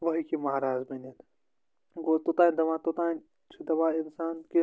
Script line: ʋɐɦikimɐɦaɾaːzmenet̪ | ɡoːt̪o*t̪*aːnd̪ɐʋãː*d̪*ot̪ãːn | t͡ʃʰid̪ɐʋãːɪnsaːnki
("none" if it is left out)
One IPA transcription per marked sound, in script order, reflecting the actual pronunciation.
t̪, t̪

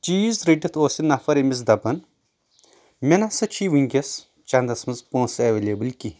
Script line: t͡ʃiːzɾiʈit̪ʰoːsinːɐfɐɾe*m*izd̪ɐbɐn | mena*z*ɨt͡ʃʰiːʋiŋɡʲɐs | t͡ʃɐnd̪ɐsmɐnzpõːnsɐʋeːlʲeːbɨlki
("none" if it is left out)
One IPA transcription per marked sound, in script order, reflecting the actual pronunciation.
m, s

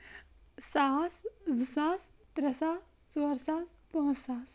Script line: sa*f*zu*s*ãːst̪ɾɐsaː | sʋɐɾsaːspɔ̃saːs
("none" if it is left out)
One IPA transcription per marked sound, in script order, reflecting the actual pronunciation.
s, s

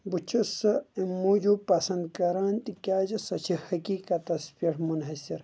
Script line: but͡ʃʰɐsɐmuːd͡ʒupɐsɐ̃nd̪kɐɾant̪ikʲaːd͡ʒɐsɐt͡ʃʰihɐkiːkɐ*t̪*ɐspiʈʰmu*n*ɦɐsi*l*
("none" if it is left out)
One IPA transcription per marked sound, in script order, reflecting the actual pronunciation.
t̪, n, ɾ

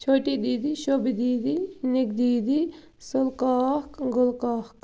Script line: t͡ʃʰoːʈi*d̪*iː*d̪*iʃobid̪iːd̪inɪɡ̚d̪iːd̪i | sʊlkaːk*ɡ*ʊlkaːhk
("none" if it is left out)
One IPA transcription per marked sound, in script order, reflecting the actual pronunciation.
d̪, d̪, ɡ

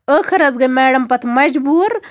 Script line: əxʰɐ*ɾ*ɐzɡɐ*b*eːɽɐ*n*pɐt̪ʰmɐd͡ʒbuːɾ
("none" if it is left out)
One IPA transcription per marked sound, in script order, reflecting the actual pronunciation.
ɾ, m, m

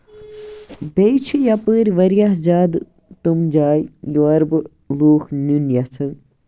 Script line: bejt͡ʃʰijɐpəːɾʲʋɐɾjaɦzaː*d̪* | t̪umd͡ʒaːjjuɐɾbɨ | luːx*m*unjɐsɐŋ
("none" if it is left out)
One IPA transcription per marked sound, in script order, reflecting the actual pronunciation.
d̪, n

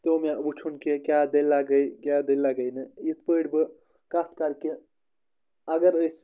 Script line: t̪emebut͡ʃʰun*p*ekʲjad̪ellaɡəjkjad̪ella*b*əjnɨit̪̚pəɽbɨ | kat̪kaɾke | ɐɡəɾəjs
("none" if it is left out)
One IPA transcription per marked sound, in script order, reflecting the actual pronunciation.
k, ɡ

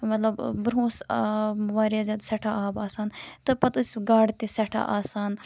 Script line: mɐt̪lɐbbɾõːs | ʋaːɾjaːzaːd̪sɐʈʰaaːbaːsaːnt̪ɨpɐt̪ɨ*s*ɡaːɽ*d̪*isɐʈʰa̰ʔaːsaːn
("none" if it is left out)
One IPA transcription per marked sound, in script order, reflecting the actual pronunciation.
s, t̪

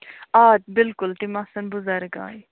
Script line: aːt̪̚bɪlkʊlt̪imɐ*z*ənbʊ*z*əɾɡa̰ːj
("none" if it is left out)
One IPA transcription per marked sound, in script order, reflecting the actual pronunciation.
s, z

